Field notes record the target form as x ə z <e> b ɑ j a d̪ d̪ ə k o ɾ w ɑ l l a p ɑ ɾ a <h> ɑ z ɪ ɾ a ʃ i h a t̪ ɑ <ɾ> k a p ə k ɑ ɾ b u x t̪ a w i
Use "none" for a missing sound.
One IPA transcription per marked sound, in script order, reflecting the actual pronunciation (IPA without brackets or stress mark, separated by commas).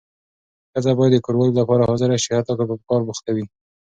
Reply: a, h, none